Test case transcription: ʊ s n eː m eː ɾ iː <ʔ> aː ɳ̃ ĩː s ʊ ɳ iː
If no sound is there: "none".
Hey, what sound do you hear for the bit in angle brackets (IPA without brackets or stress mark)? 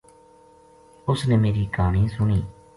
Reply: k